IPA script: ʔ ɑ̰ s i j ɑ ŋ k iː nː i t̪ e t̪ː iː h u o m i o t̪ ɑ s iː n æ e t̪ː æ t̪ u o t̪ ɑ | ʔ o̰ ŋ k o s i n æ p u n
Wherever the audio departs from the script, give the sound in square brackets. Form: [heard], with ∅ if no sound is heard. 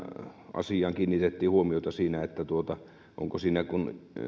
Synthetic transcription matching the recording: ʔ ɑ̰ s i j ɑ ŋ k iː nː i t̪ e t̪ː iː h u o m i o t̪ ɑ s iː n æ e t̪ː æ t̪ u o t̪ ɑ | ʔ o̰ ŋ k o s [iː] n æ [k] u n